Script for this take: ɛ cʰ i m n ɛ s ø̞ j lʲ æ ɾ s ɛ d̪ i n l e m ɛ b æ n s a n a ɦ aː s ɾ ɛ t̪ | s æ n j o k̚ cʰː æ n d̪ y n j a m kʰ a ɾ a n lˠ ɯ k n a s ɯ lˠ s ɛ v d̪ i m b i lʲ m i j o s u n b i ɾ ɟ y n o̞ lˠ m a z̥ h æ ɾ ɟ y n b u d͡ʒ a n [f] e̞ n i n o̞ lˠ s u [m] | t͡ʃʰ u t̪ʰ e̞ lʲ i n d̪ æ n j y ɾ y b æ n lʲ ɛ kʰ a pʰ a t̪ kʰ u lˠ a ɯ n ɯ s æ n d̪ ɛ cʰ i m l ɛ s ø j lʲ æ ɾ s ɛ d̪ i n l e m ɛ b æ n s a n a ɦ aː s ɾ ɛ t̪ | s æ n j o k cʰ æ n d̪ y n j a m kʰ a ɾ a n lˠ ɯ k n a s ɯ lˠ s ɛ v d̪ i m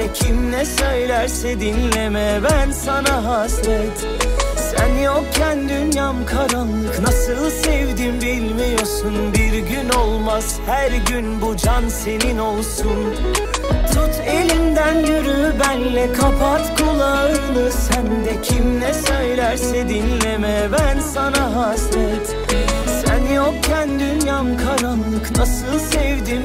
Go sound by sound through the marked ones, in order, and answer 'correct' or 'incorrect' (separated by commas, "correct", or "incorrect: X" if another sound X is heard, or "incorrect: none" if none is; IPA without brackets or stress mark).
incorrect: s, incorrect: n